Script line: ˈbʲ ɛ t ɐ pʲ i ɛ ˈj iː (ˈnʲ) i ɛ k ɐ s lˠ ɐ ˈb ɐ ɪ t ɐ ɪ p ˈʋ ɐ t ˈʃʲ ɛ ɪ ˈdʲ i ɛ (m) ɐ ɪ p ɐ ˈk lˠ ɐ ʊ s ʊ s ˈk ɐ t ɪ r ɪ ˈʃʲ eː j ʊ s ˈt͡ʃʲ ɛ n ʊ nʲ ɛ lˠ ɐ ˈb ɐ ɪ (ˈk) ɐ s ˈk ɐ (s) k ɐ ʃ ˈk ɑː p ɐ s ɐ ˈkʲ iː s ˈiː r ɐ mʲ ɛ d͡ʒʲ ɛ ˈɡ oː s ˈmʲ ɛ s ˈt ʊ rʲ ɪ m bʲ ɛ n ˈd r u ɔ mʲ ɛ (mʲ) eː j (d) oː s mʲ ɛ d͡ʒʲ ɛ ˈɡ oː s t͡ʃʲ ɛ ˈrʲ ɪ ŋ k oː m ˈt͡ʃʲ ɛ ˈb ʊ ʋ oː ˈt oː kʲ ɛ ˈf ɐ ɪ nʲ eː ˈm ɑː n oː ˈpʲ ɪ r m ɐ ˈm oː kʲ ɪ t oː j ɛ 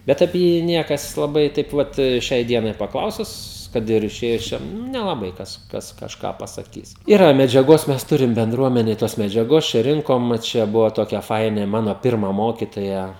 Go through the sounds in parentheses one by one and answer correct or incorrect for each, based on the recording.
correct, incorrect: n, correct, correct, incorrect: nʲ, incorrect: t

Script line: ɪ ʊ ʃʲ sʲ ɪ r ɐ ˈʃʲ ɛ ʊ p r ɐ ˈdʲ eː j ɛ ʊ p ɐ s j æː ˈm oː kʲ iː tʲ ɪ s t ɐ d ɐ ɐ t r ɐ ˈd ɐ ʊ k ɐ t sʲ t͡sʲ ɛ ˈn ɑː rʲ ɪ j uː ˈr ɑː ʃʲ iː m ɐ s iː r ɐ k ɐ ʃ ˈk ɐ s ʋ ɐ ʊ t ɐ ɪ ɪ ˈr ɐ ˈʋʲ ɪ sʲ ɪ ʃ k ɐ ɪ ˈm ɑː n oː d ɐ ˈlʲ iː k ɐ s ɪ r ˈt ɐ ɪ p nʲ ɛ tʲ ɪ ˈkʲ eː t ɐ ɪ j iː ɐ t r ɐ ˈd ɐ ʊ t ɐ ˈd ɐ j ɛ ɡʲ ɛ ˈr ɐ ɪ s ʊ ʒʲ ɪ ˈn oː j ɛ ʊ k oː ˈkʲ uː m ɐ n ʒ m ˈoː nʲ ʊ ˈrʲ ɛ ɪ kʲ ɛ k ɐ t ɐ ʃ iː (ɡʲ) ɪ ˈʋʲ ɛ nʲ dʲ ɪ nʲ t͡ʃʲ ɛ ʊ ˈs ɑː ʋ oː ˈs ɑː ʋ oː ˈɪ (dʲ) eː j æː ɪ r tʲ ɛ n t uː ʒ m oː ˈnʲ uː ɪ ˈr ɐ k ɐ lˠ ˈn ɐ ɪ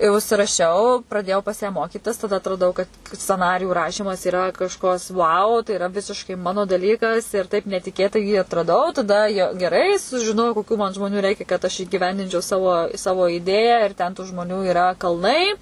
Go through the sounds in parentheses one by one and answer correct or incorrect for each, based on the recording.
correct, correct

